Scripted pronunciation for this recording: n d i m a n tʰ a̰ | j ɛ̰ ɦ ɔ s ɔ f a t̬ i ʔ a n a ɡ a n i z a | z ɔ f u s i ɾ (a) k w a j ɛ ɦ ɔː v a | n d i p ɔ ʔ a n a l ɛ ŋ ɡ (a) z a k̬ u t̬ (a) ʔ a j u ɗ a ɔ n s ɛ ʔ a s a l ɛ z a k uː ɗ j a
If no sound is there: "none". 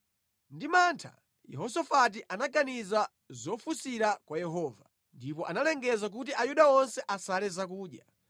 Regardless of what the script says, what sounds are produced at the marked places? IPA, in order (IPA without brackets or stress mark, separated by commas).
a, ɛ, i